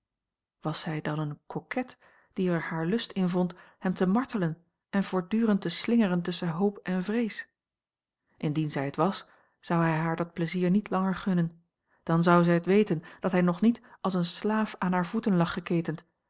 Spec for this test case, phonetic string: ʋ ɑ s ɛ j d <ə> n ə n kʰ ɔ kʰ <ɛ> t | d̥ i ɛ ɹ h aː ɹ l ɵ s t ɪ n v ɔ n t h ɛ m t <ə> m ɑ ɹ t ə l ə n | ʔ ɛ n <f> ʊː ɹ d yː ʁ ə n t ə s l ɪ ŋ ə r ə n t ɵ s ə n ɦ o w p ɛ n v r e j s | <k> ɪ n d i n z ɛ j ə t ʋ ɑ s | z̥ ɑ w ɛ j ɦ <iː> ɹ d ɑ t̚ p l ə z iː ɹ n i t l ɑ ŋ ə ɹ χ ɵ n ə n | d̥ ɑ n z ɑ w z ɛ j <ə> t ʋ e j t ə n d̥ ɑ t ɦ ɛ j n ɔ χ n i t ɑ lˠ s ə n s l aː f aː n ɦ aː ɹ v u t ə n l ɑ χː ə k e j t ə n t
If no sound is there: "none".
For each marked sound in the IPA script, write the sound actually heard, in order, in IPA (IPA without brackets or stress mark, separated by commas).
ɑ, ɛ, ə, v, ʔ, aː, ə